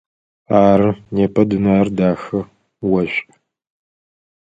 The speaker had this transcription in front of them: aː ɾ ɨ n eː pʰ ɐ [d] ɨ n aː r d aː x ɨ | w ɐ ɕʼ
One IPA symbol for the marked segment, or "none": d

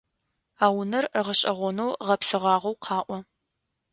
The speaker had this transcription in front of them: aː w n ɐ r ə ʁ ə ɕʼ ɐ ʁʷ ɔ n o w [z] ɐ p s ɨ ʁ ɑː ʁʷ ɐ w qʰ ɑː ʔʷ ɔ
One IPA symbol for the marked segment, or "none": ʁ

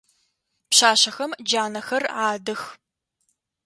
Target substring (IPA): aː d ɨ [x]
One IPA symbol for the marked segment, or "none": x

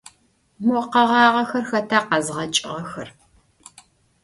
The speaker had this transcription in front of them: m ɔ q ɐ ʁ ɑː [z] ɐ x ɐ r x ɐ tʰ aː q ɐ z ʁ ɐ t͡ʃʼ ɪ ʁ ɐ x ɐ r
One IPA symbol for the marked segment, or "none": ʁ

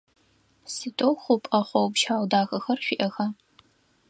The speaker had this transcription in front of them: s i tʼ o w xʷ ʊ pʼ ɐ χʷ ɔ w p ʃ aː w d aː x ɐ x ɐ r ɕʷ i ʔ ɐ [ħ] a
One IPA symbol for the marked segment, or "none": x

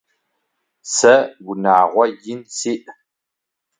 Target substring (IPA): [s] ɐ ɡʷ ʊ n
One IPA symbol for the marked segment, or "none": s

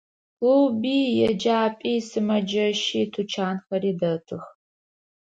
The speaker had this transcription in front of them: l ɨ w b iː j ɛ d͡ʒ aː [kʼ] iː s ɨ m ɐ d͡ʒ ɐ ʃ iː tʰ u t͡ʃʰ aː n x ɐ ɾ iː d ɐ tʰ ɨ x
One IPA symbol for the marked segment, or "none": pʼ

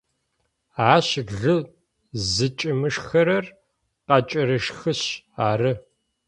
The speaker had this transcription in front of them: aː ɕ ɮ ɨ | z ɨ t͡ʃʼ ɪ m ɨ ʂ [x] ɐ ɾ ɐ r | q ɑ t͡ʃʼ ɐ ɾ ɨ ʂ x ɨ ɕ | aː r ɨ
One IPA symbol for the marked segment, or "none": x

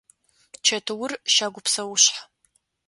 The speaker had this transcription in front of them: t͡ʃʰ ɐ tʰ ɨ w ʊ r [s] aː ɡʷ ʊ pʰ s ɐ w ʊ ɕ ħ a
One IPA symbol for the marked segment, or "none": ʃ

